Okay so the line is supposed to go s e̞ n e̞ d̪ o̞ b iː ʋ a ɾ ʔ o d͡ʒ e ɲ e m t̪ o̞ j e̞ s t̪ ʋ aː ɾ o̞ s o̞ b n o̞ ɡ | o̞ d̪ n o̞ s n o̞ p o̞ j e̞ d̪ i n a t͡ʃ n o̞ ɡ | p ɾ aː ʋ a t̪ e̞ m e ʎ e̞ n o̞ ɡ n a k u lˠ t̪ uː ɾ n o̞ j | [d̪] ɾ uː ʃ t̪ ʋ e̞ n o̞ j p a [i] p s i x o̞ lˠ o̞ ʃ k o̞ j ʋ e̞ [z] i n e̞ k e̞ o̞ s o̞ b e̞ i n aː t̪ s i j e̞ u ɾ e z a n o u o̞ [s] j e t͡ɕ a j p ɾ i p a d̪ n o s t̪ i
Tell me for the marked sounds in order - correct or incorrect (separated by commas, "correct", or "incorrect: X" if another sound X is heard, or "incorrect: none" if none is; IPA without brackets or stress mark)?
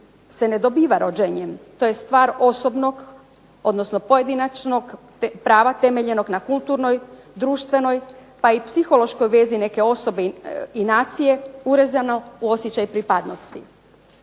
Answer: correct, correct, correct, correct